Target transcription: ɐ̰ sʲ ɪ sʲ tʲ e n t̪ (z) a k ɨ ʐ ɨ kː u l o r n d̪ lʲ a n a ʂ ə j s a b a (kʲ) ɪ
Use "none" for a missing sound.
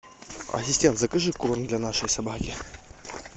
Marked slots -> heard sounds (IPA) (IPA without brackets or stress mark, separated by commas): z, kʲ